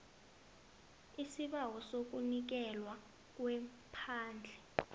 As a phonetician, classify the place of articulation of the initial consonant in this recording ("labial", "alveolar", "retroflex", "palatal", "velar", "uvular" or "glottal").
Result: alveolar